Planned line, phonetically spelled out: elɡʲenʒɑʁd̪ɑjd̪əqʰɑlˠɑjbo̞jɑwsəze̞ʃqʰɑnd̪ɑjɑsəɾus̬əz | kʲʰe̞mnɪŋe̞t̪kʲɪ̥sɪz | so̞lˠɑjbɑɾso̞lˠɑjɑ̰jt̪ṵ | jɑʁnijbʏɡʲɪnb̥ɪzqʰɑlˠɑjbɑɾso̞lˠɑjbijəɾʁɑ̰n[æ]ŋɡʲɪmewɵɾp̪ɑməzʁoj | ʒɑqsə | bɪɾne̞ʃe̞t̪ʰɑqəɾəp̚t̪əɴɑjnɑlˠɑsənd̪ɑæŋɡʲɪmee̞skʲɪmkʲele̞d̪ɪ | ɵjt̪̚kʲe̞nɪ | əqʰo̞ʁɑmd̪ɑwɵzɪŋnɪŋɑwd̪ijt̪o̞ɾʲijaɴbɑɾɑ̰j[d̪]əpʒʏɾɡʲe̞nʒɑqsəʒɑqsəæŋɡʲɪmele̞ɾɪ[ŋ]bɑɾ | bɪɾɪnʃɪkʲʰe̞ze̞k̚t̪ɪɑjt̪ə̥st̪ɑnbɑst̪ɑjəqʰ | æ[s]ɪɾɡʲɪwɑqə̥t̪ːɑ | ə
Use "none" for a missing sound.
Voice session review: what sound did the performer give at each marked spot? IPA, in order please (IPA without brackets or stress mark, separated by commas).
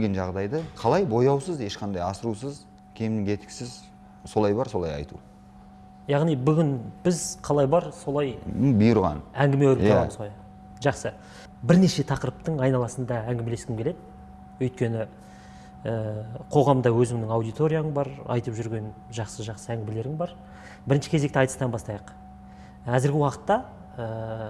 æ, t̪, ŋ, z